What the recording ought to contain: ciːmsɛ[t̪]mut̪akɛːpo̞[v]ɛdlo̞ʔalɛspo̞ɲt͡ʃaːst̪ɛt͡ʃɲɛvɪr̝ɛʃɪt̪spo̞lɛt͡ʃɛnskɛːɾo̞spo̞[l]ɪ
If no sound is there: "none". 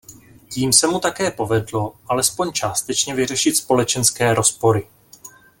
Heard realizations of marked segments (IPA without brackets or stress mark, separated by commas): none, v, ɾ